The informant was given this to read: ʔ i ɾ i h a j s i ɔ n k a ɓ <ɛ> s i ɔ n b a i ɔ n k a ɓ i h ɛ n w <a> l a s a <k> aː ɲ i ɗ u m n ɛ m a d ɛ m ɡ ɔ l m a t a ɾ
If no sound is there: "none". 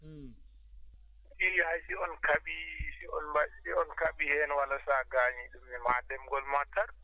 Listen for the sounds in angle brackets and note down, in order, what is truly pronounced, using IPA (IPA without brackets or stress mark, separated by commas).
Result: i, a, ɡ